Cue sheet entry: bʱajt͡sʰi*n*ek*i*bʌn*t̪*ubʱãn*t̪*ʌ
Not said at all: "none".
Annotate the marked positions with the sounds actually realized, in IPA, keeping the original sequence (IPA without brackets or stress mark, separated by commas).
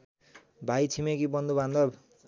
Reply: m, i, d̪, d̪